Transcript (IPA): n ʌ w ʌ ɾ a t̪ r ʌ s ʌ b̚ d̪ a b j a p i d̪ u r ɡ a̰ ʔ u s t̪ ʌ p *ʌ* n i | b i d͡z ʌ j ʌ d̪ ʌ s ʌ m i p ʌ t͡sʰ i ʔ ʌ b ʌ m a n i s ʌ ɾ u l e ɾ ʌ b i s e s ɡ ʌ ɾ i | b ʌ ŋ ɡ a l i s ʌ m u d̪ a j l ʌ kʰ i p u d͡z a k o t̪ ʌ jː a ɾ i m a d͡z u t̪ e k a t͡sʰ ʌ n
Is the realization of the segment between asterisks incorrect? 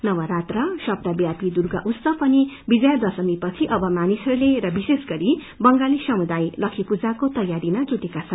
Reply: no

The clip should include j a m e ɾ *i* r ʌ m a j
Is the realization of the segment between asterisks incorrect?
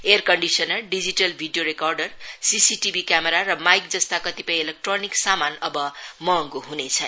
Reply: yes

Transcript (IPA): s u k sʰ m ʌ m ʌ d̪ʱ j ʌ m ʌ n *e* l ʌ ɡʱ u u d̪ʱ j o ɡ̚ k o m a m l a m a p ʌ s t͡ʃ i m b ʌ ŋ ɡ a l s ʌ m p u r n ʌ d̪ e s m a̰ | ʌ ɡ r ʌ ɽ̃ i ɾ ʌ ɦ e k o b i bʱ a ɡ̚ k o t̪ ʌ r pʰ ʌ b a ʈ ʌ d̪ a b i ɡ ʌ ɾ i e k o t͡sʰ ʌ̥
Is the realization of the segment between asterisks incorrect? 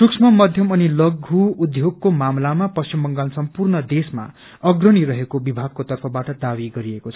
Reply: yes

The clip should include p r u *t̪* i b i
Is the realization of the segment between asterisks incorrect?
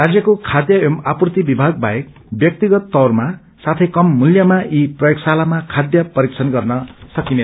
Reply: no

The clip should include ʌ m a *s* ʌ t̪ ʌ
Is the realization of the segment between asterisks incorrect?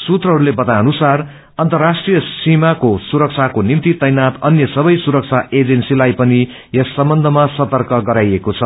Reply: no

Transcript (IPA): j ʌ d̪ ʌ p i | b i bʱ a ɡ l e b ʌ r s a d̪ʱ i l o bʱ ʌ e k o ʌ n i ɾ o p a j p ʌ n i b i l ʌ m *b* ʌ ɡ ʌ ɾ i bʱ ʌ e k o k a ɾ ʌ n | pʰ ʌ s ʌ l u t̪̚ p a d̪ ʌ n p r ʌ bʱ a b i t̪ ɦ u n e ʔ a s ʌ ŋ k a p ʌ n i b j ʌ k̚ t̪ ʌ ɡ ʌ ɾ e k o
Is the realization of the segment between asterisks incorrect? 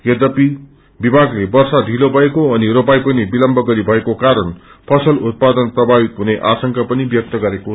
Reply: no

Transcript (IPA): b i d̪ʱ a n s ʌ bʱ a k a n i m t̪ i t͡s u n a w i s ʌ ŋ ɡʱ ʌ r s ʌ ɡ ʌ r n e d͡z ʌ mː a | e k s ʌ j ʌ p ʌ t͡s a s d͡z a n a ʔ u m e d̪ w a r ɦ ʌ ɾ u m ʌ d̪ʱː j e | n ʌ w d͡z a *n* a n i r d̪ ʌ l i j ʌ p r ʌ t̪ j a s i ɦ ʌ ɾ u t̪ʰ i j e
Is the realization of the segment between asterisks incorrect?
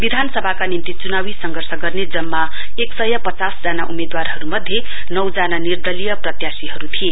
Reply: no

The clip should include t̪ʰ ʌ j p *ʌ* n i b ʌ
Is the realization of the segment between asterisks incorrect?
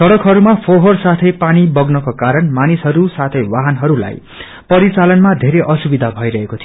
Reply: yes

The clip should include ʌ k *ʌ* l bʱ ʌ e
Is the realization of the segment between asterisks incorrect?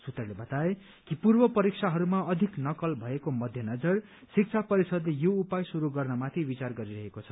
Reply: no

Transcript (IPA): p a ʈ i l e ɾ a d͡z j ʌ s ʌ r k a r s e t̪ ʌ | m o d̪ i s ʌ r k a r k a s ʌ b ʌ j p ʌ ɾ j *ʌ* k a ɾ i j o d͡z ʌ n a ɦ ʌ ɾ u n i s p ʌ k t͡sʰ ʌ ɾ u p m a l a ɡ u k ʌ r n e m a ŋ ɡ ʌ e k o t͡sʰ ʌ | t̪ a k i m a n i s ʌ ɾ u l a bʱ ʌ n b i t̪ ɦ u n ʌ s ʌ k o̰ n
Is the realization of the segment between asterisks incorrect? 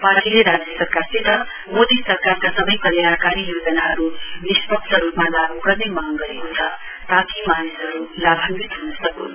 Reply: yes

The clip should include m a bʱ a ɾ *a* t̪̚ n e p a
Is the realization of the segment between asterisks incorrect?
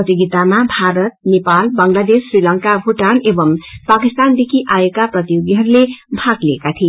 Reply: yes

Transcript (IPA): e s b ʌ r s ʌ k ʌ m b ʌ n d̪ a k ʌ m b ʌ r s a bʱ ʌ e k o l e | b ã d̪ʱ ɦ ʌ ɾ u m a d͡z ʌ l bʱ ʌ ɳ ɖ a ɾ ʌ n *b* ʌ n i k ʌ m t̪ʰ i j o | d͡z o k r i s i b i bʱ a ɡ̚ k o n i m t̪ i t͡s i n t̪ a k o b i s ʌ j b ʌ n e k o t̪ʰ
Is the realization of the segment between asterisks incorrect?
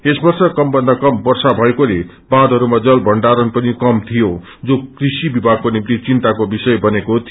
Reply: yes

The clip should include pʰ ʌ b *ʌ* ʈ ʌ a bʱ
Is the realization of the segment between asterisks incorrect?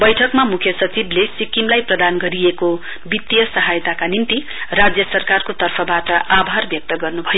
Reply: yes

